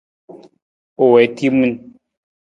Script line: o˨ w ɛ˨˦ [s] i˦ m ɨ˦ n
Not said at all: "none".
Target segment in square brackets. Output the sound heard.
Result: t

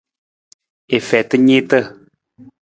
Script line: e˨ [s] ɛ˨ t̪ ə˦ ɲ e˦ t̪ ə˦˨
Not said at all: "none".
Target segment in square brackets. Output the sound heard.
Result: f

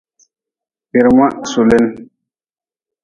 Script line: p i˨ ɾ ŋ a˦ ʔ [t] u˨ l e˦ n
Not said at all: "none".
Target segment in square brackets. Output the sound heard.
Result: s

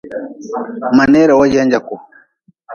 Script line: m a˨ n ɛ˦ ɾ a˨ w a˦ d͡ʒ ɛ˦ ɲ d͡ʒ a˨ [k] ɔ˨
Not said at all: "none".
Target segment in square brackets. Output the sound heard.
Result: k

